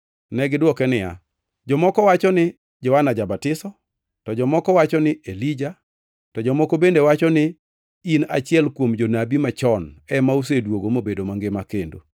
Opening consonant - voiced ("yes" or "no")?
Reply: yes